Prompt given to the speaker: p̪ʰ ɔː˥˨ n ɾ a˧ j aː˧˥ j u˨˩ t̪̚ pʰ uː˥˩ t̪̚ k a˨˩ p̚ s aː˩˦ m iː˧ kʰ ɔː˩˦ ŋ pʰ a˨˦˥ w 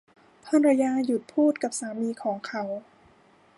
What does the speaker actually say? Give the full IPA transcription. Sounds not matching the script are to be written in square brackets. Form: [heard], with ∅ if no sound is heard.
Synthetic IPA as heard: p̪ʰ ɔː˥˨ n ɾ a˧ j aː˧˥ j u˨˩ t̪̚ pʰ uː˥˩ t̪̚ k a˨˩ p̚ s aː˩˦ m iː˧ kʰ ɔː˩˦ ŋ [kʰ] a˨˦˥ w